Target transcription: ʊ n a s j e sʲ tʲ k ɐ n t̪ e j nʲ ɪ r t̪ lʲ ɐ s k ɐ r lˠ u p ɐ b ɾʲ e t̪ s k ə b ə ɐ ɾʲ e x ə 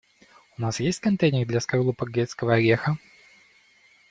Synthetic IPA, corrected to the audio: ʊ n a s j e sʲ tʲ k ɐ n t̪ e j nʲ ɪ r d̪ lʲ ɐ s k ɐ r lˠ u p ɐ ɡ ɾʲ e t̪ s k ə v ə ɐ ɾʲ e x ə